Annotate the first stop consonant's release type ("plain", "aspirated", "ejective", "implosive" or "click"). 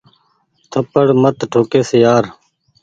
aspirated